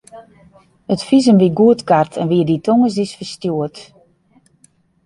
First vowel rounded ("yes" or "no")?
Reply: no